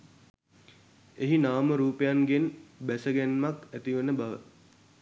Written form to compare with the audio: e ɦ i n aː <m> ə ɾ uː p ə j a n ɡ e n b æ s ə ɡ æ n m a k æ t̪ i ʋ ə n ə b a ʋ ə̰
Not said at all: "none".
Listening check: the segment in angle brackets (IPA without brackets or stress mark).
m